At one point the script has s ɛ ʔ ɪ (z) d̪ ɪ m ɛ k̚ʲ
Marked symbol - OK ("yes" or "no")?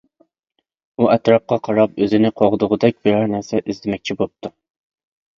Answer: yes